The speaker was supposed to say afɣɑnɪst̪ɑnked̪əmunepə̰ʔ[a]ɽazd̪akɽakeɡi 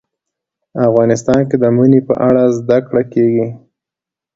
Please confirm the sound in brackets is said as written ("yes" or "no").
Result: yes